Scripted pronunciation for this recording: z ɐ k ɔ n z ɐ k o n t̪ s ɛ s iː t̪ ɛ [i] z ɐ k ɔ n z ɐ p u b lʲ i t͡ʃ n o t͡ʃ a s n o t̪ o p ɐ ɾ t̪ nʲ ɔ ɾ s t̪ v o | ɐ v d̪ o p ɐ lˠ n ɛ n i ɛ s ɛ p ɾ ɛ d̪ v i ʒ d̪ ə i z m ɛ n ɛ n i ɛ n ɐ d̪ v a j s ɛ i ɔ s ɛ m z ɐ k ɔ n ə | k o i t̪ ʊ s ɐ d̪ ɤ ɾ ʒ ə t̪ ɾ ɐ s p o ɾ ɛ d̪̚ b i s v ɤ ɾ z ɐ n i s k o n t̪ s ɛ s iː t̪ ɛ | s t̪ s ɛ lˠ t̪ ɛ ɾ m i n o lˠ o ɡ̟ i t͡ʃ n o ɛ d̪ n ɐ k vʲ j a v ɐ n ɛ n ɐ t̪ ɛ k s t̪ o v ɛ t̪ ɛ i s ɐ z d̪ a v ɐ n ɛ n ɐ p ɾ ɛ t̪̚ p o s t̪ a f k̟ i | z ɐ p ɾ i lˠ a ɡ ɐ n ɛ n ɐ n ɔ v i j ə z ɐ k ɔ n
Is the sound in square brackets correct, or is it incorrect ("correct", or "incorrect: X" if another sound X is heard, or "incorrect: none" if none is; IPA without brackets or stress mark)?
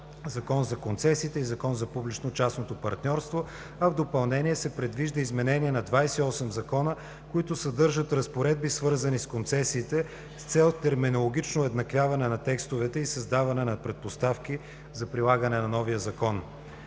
correct